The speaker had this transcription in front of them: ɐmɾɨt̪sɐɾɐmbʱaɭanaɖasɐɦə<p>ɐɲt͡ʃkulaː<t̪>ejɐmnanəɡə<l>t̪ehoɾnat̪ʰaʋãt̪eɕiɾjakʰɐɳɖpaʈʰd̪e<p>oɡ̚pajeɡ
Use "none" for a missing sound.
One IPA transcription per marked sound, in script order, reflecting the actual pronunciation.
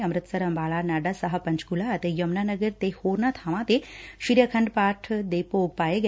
p, t̪, ɾ, p

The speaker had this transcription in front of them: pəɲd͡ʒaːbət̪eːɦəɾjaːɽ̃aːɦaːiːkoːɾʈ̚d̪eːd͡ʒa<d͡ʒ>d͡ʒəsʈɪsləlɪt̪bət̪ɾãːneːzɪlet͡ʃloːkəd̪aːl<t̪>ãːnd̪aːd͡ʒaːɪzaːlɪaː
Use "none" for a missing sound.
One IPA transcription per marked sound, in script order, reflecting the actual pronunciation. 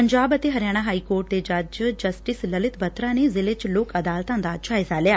d͡ʒ, t̪

